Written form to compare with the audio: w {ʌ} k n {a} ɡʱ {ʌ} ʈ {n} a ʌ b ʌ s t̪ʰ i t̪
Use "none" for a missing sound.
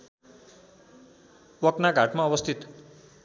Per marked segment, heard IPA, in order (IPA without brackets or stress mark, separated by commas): ʌ, a, a, m